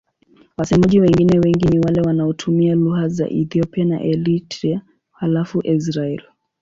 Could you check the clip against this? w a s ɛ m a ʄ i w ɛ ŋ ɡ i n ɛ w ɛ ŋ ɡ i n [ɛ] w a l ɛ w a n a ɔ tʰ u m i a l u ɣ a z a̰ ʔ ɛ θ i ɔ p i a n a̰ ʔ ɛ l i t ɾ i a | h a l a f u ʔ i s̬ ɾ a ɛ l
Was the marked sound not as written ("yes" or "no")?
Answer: yes